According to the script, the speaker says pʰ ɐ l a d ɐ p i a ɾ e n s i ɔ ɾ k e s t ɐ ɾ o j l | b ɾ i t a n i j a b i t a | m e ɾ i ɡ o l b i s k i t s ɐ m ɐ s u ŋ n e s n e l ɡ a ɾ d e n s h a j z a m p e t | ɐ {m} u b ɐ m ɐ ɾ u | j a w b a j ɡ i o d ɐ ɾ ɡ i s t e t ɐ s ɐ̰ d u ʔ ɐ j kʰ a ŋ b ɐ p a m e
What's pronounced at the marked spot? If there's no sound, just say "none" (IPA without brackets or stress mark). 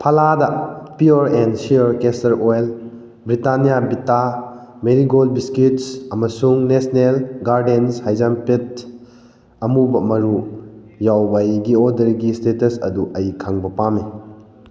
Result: m